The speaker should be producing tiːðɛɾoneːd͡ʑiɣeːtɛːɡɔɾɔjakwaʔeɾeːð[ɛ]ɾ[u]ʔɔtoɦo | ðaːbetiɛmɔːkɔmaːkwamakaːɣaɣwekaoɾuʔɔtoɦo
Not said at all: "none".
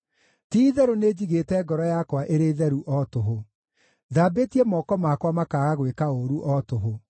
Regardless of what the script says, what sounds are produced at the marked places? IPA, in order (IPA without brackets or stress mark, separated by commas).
ɛ, u